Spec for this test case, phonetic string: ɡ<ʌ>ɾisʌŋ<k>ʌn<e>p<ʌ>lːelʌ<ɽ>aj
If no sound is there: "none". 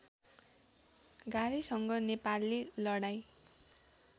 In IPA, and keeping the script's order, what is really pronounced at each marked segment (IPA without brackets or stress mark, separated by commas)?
a, ɡ, e, a, ɽ